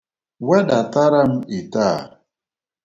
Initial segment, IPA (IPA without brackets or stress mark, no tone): w